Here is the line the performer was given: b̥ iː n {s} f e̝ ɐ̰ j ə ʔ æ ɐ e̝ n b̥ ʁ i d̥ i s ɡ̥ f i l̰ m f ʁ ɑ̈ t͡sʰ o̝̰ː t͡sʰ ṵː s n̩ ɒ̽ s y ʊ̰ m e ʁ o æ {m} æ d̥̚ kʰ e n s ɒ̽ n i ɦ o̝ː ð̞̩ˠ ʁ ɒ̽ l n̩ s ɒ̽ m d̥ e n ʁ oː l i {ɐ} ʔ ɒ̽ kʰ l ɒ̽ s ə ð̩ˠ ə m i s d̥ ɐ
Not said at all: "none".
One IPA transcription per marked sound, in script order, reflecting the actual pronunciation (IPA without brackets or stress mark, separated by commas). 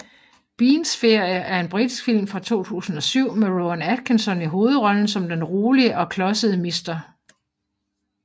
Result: s, n, ə